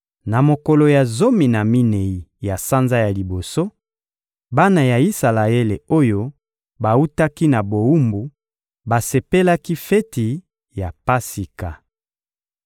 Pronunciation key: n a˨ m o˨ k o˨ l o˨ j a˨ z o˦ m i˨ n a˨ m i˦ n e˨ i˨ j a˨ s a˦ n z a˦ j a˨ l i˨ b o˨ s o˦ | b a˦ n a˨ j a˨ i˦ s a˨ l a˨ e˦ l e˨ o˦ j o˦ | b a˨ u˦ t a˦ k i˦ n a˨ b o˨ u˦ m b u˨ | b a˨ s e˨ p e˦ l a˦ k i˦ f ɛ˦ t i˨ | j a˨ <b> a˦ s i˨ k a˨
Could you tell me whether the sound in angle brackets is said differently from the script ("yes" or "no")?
yes